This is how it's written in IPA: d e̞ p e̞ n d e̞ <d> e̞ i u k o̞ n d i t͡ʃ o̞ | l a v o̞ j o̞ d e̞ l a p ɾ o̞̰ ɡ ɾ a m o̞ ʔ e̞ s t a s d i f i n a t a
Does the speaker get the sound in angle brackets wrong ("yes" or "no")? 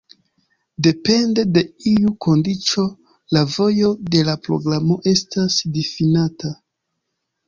no